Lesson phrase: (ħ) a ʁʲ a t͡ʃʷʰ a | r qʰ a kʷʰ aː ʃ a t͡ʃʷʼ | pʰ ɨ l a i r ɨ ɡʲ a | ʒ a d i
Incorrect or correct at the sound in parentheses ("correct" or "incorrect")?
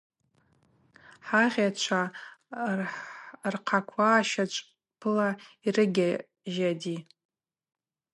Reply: correct